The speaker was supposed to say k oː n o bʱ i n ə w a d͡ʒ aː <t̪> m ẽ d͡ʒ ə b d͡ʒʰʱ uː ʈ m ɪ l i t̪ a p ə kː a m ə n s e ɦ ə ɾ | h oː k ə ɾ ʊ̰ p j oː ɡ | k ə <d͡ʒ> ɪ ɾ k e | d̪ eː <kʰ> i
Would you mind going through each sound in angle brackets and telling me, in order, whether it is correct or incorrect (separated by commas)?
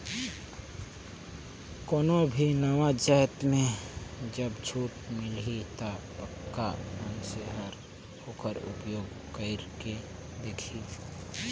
correct, incorrect, correct